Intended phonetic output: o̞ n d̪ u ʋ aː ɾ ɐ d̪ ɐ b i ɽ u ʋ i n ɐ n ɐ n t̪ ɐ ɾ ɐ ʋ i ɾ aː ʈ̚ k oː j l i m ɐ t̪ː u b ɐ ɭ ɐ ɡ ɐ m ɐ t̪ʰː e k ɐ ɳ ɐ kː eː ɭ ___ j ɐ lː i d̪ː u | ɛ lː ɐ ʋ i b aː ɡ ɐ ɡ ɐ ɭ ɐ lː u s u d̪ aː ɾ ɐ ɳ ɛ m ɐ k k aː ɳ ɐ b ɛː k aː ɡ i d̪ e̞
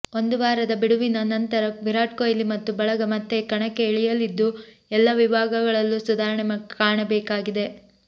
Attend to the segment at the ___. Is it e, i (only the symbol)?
i